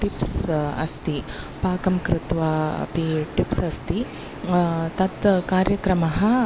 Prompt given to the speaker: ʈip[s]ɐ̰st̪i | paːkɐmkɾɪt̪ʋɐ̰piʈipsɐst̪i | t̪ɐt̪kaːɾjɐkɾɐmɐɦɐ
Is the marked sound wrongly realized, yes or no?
no